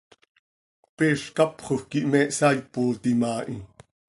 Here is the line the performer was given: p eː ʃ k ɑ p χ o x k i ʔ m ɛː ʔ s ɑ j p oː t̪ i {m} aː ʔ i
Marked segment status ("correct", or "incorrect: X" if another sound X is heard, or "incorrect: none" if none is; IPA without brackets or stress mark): correct